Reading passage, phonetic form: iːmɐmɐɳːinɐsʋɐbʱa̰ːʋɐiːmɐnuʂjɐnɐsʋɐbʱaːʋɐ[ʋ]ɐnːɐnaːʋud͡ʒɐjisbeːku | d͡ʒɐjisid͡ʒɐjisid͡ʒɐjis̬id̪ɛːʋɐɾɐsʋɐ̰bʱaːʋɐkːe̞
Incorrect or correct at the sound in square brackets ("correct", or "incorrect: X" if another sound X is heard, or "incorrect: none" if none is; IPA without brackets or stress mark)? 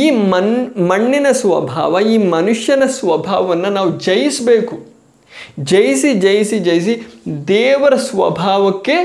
correct